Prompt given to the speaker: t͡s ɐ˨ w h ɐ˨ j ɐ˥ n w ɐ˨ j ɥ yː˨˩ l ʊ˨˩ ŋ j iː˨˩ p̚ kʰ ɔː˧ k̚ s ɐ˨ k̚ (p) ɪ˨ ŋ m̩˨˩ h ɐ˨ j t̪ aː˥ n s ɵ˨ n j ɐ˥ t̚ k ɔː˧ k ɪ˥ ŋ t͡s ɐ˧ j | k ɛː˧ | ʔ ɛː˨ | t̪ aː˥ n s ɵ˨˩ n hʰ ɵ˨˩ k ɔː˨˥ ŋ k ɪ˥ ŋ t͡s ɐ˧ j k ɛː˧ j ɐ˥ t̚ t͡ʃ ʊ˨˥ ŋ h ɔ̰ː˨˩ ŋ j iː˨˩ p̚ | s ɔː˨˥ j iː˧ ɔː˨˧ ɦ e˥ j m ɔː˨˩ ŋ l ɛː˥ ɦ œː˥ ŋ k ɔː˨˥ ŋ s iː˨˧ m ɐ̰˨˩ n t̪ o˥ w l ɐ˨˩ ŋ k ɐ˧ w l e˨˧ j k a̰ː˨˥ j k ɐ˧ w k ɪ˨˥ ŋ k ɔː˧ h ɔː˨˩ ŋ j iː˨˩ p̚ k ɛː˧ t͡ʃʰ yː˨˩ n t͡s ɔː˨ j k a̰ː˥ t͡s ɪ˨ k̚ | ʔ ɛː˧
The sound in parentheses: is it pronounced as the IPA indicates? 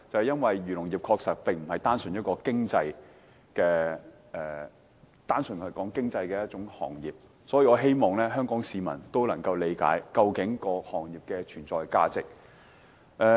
yes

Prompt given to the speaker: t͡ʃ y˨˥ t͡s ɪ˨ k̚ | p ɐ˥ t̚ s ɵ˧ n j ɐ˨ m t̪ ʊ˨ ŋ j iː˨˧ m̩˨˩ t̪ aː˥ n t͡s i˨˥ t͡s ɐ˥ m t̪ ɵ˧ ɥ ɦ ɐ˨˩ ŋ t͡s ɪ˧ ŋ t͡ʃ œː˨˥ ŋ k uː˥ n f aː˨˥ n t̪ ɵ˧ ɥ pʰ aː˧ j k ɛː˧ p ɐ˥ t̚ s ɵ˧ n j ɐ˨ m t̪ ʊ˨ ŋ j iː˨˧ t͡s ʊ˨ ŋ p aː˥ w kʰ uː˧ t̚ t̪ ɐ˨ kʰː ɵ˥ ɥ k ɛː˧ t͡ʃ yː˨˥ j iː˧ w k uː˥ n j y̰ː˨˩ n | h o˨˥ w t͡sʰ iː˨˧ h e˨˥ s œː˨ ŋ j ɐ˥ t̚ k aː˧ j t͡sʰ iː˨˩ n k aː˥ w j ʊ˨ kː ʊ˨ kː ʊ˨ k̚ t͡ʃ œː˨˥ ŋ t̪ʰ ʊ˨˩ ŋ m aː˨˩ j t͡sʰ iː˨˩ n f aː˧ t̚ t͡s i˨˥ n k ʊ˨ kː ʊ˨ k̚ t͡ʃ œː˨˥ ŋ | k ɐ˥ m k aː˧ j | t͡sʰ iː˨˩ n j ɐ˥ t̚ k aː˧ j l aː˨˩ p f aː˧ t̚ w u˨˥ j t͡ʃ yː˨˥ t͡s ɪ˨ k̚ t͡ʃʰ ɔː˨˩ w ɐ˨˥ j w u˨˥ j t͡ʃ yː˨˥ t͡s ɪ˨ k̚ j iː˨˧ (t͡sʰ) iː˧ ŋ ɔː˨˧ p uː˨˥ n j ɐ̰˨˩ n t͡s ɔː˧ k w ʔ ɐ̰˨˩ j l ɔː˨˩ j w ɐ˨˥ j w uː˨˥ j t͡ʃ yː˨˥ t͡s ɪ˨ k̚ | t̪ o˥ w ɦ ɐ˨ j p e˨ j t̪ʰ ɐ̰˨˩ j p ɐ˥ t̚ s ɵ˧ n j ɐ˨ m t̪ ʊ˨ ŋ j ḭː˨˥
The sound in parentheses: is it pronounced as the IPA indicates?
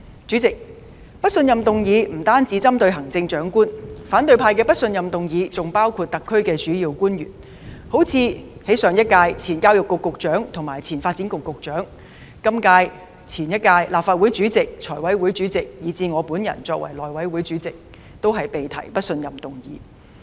no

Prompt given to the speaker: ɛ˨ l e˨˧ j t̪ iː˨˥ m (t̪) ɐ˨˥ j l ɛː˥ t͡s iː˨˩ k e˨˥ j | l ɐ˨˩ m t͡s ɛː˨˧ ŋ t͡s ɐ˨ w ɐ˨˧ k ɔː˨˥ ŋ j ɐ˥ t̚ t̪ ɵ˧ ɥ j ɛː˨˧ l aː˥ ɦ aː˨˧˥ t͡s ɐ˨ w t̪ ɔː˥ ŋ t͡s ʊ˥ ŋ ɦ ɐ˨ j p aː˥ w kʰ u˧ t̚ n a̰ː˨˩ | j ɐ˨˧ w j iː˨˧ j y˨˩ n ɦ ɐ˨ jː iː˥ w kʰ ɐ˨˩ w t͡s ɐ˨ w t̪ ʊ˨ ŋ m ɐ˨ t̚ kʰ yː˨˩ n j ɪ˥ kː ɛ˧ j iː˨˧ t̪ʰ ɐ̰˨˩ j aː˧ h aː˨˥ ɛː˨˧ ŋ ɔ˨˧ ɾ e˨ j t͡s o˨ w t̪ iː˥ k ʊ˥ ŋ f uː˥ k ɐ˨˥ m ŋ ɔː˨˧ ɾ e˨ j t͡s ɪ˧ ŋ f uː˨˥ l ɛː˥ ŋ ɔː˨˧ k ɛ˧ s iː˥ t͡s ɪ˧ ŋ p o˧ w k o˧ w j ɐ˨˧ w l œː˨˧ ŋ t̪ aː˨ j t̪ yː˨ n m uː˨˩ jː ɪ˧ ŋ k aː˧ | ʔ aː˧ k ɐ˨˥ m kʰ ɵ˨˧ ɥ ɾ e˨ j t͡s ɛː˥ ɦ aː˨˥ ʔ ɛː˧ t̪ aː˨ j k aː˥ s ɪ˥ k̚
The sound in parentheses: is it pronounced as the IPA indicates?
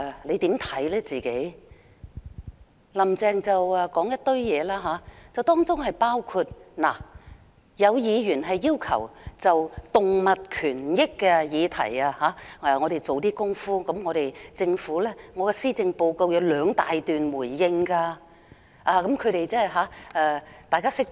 no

